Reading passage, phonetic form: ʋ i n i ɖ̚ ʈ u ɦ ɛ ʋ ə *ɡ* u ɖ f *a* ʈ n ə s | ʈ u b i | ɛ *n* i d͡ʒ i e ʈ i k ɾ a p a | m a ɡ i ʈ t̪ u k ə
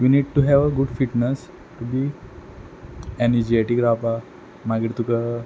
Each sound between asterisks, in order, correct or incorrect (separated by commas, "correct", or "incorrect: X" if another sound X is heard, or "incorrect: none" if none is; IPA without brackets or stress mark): correct, incorrect: i, correct